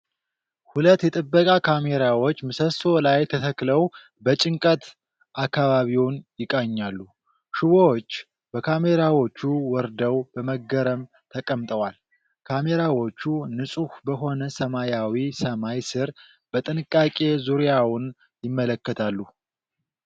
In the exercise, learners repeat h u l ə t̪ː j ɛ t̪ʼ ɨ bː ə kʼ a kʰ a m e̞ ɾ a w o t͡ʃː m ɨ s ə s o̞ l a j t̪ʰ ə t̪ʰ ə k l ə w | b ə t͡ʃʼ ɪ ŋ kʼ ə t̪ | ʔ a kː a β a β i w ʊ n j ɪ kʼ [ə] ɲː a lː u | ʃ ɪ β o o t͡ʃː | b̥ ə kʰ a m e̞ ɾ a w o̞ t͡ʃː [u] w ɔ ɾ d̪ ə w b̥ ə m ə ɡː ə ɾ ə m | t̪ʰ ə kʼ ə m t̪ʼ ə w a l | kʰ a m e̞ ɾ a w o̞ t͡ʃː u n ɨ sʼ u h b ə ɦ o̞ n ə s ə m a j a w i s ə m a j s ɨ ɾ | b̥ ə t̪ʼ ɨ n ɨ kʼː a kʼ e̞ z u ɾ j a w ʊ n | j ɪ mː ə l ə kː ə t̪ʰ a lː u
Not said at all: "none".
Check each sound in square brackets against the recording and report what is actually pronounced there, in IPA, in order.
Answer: a, u

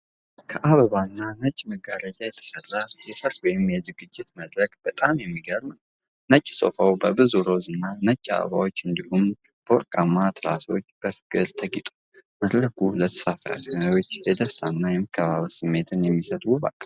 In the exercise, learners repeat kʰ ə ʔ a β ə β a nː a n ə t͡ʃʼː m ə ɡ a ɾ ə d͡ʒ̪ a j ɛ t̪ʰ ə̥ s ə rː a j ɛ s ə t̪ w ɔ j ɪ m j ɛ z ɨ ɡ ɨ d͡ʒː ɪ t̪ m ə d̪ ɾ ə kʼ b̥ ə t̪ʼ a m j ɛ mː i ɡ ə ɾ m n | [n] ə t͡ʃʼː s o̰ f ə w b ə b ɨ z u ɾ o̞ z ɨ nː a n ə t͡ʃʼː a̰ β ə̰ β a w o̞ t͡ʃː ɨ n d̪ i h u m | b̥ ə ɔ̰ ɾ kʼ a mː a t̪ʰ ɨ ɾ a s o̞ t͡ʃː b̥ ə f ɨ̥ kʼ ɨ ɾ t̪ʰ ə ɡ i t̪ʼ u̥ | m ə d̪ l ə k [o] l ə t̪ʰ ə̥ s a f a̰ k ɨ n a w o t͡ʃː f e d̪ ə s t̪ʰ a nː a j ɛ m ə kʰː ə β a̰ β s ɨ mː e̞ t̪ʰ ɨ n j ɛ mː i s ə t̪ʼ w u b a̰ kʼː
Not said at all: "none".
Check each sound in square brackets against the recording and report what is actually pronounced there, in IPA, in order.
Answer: n, u

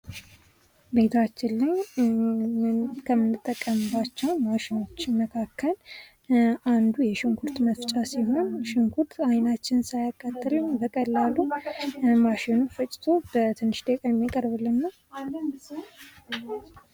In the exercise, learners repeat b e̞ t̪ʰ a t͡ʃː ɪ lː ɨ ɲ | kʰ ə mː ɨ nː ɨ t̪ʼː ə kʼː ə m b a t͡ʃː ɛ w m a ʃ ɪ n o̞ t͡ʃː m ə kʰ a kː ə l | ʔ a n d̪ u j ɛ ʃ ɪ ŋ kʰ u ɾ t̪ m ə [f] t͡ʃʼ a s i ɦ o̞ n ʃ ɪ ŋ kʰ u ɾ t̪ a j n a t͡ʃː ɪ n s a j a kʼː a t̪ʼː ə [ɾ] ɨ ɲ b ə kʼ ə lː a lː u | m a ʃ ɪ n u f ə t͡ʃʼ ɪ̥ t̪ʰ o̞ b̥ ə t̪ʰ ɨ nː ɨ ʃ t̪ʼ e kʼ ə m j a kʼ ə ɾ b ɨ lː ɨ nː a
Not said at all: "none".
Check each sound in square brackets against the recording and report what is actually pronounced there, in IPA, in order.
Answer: f, l

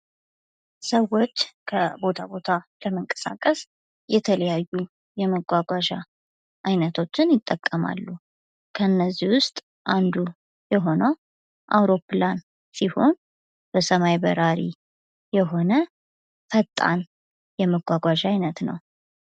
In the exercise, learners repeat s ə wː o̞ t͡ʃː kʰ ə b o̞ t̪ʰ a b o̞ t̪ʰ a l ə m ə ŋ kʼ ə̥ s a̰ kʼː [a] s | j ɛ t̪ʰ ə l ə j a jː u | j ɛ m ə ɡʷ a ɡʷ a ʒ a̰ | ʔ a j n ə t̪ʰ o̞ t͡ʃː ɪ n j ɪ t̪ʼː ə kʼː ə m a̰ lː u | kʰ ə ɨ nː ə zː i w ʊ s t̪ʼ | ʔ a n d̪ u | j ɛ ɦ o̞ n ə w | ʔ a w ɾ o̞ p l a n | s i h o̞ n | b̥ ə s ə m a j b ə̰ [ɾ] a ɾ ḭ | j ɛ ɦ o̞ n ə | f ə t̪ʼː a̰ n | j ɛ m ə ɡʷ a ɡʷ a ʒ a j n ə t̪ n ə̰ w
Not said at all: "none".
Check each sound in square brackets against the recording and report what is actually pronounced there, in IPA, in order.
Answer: ə, ɾ

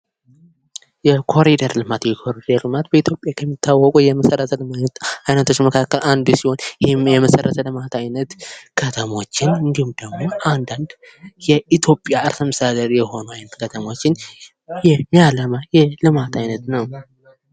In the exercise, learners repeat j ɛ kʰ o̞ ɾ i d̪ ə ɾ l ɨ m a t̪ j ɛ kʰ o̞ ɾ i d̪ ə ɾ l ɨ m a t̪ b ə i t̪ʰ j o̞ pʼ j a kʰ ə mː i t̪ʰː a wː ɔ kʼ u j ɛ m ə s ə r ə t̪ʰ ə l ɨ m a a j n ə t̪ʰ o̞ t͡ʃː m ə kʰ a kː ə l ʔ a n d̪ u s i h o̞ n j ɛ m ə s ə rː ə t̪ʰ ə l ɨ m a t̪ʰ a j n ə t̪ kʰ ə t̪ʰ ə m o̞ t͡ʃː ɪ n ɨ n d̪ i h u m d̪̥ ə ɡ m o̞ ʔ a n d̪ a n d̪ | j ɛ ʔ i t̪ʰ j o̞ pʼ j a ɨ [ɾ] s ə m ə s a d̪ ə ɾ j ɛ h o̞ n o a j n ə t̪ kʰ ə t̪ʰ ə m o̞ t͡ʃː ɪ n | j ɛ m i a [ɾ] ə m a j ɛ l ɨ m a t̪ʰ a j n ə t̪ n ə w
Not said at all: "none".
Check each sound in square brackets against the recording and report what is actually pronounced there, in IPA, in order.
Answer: ɾ, l

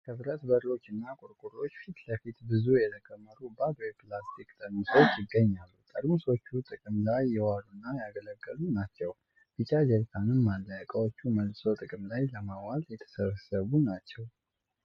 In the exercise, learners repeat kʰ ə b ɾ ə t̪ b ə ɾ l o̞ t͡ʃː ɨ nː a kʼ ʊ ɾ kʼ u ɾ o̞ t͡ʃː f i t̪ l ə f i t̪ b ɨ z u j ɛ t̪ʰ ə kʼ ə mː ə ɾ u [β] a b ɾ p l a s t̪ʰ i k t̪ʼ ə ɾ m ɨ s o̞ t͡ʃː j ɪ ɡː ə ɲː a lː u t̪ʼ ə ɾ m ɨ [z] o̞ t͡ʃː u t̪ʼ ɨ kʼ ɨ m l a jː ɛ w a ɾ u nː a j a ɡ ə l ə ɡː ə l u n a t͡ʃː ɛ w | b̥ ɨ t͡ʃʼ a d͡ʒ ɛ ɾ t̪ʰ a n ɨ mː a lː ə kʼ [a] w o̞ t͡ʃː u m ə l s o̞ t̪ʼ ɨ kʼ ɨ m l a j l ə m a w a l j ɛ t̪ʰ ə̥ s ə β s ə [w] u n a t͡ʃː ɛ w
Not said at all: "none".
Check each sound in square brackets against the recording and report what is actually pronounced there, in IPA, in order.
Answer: b, s, ə, β

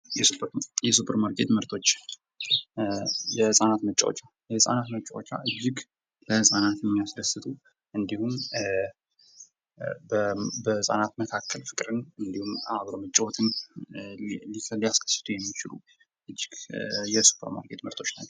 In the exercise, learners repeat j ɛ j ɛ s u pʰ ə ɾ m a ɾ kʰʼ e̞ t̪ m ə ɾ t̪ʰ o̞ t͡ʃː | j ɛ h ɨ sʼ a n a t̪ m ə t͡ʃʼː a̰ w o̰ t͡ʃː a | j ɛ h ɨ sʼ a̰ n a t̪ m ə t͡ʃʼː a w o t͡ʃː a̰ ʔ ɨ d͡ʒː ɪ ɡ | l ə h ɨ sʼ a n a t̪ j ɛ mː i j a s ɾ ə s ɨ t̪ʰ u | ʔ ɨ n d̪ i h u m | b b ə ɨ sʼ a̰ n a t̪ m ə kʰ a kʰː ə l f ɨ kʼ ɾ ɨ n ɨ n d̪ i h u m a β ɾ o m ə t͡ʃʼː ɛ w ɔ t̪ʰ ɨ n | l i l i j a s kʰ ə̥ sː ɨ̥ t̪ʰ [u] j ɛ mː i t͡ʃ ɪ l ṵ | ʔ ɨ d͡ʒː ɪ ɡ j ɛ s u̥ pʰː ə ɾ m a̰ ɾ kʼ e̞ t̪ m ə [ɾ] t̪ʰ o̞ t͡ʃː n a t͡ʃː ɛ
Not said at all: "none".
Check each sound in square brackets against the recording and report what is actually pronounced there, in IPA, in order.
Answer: u, ɾ

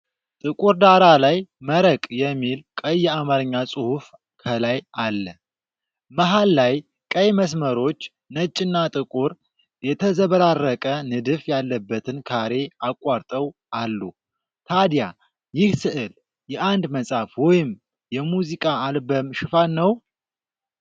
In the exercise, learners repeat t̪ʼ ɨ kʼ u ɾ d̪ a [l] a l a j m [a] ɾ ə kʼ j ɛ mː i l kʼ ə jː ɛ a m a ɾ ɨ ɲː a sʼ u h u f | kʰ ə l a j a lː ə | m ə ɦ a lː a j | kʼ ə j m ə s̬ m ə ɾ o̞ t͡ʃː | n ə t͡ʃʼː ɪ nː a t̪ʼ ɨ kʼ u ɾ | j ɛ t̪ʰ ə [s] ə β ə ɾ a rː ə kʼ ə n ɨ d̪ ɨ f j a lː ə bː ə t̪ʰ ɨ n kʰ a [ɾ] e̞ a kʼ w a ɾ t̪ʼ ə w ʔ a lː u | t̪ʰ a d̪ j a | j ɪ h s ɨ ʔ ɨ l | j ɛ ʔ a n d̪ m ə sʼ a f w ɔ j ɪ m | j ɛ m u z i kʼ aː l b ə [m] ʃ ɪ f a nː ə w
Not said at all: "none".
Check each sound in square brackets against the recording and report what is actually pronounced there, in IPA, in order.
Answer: ɾ, ə, z, ɾ, m

